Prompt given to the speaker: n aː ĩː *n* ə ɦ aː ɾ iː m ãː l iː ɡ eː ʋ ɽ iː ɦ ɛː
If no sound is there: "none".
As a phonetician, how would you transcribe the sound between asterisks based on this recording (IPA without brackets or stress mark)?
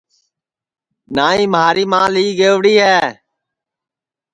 m